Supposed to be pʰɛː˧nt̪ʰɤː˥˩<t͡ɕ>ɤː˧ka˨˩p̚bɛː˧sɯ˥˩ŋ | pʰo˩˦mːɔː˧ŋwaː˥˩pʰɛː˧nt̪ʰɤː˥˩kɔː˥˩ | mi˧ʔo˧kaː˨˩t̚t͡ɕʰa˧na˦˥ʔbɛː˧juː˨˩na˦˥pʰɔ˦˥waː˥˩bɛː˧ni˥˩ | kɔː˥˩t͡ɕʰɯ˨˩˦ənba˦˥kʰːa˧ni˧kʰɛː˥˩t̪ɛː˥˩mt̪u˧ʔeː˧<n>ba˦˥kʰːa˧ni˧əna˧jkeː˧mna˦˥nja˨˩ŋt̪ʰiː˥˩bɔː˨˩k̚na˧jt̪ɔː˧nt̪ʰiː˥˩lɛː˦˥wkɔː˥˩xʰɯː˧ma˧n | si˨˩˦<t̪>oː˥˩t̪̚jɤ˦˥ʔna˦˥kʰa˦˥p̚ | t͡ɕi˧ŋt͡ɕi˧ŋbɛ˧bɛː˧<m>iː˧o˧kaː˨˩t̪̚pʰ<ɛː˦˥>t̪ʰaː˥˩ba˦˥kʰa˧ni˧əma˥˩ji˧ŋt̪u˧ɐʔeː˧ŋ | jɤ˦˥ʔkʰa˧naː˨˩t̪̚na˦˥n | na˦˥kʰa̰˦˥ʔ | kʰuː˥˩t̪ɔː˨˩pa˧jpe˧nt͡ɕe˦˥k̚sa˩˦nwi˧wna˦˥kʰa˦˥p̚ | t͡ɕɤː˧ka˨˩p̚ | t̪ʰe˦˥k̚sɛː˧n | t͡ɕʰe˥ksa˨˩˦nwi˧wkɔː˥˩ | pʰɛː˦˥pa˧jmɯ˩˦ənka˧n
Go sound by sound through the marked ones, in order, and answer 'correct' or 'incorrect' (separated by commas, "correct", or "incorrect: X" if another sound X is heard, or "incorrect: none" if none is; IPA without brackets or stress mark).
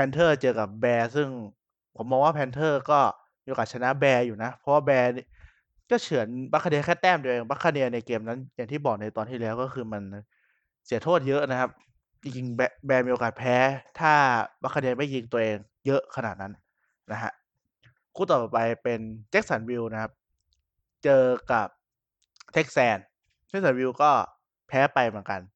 correct, incorrect: ŋ, incorrect: t̪ʰ, correct, correct